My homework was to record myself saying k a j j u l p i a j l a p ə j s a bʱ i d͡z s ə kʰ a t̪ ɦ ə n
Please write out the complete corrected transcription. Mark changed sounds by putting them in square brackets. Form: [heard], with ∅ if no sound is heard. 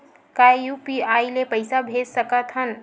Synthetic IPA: k a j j u [∅] p i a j l [e] p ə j s a bʱ [e] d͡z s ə [k] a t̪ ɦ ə n